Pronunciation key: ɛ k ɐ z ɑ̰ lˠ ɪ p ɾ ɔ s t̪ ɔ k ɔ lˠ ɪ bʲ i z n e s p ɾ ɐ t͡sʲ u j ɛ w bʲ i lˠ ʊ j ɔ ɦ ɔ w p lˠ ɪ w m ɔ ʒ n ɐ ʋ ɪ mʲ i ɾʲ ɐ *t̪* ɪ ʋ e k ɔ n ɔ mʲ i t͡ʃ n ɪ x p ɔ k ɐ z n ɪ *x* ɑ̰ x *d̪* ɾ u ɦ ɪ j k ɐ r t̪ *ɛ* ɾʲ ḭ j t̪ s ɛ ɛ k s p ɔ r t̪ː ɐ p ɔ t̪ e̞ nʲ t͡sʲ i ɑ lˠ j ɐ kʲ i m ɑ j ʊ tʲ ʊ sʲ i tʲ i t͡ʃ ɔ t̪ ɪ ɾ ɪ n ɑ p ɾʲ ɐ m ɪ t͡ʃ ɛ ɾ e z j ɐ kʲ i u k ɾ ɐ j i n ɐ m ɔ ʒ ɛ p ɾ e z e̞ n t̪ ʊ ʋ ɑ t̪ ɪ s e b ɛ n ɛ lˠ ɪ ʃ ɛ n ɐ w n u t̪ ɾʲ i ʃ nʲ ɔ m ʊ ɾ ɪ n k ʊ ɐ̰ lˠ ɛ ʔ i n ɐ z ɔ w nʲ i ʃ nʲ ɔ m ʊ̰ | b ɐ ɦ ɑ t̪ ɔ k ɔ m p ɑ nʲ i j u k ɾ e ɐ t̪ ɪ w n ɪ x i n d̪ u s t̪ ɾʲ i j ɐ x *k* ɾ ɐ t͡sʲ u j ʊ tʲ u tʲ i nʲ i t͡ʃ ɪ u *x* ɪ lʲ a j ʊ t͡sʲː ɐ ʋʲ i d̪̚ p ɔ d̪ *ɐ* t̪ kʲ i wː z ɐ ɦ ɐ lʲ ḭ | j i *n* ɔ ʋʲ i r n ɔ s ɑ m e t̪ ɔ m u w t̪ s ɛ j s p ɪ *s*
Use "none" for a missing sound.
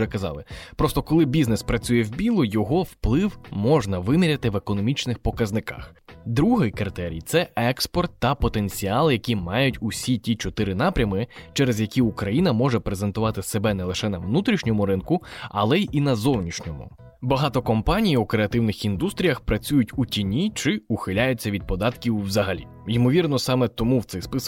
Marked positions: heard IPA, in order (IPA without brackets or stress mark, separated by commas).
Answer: t̪, k, d̪, ɛ, p, x, ɑ, m, s